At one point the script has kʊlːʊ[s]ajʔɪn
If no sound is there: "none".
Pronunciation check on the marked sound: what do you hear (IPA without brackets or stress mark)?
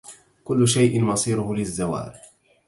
ʃ